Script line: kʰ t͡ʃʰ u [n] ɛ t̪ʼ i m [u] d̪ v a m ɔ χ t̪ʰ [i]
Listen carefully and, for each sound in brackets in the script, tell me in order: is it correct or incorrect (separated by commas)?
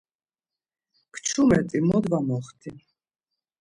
incorrect, incorrect, correct